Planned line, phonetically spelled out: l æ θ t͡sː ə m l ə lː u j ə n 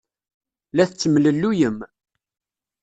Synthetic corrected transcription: l æ θ t͡sː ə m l ə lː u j ə m